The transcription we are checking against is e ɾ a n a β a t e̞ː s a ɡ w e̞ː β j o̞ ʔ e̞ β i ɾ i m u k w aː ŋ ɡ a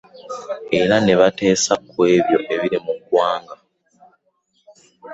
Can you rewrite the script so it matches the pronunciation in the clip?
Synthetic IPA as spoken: e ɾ a n e β a t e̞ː s a k w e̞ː β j o̞ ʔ e̞ β i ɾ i m u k w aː ŋ ɡ a